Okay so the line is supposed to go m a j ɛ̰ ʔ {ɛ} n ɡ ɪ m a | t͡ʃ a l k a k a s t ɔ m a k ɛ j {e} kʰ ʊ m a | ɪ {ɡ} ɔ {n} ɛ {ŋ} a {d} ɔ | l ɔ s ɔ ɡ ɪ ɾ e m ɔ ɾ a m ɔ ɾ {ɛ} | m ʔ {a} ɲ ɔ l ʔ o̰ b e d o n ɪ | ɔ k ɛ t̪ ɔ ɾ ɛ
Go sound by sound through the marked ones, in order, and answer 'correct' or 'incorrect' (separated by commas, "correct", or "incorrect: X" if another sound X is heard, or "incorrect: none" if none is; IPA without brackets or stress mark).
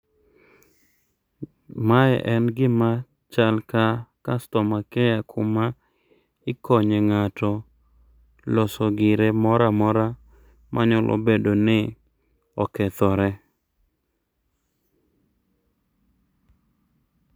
correct, incorrect: a, incorrect: k, incorrect: ɲ, correct, incorrect: t, incorrect: a, correct